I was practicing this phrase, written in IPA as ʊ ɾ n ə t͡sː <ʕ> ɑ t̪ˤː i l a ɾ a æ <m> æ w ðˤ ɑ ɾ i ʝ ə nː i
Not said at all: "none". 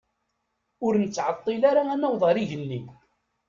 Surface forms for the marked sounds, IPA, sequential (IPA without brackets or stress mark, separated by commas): ʕ, n